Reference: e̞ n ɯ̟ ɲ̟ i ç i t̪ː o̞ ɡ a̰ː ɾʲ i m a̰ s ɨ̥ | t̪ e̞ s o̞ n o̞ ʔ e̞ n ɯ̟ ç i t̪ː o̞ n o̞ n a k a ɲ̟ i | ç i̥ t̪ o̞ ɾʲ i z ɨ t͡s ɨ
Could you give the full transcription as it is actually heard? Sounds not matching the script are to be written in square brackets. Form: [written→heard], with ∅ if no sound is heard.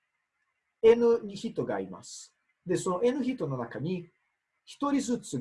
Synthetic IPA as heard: e̞ n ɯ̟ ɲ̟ i ç i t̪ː o̞ ɡ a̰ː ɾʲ i m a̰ s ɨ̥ | [t̪→d̪] e̞ s o̞ n o̞ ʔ e̞ n ɯ̟ ç i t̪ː o̞ n o̞ n a k a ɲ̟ i | ç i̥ t̪ o̞ ɾʲ i z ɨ t͡s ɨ